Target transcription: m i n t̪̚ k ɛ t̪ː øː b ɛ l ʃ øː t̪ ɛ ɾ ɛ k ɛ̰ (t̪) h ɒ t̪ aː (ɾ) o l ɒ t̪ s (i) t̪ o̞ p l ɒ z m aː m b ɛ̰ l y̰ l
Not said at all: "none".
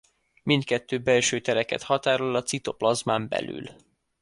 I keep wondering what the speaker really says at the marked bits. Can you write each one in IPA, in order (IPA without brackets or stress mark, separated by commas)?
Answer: t̪, ɾ, i